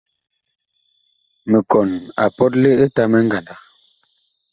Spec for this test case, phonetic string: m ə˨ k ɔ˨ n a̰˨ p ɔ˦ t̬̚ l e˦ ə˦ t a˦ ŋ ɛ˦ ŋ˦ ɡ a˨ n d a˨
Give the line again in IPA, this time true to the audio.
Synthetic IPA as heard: m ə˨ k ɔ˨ n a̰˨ p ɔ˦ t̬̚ l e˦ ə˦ t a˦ m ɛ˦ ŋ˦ ɡ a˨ n d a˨